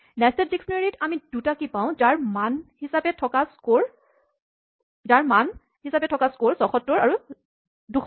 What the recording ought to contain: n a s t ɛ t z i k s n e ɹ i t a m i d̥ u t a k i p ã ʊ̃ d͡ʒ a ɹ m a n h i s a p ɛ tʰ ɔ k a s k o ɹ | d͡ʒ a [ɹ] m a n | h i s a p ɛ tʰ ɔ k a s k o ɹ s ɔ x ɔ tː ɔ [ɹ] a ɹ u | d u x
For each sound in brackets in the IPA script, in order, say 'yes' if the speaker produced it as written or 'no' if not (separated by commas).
yes, yes